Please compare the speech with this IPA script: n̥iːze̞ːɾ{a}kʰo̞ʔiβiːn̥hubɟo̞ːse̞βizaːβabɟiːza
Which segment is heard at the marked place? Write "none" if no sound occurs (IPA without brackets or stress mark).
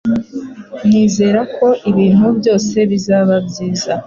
a